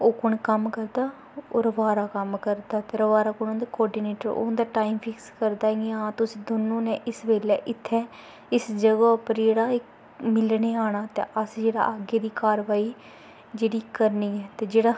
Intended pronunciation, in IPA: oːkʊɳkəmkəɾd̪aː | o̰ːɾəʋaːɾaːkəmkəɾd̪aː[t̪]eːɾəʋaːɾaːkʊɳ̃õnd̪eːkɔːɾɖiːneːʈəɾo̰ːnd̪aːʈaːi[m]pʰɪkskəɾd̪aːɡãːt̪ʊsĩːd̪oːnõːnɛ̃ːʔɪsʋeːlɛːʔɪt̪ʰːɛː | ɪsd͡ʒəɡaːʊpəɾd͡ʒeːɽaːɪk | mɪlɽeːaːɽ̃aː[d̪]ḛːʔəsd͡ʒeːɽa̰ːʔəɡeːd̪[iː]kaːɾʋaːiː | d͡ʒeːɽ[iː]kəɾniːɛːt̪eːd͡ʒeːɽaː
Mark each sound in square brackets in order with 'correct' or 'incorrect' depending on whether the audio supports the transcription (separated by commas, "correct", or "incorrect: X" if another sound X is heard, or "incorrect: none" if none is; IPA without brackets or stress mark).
correct, correct, incorrect: t̪, correct, correct